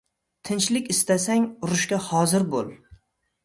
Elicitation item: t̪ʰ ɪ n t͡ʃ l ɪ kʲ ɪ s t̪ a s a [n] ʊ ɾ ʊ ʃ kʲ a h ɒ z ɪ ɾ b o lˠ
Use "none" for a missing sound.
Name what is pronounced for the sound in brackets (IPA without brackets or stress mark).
ŋ